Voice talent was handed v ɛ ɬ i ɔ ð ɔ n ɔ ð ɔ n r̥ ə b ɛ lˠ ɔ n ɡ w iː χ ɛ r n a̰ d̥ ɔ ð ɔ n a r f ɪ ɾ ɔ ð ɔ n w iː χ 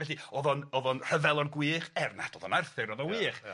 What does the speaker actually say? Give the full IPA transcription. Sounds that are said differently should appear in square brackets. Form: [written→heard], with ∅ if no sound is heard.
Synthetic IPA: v ɛ ɬ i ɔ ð ɔ n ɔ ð ɔ n r̥ ə [b→v] ɛ lˠ ɔ n ɡ w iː χ ɛ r n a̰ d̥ ɔ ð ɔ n a r [f→θ] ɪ ɾ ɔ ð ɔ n w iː χ